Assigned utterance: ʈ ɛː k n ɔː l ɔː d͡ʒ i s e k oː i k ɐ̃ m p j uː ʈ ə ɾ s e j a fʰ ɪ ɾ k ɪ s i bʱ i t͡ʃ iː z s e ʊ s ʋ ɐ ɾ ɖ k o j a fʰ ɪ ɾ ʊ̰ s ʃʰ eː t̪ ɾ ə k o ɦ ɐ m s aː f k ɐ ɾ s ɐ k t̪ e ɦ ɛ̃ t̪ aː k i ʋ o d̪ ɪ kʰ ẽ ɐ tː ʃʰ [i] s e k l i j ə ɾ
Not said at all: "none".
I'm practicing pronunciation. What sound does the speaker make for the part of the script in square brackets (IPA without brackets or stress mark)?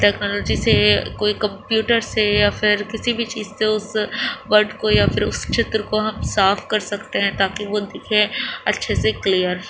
e